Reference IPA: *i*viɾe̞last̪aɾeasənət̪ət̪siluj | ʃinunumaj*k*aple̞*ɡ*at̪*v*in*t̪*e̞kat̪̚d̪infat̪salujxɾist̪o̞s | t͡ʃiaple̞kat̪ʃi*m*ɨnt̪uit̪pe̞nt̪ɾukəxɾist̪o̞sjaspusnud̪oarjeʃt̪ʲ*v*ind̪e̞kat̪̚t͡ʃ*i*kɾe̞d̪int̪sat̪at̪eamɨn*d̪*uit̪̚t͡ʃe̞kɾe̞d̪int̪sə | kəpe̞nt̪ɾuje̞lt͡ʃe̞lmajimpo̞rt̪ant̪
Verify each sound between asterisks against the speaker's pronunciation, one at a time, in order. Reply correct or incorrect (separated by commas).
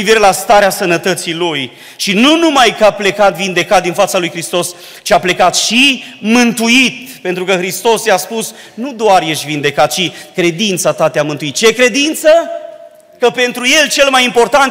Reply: correct, correct, incorrect, correct, incorrect, correct, correct, correct, incorrect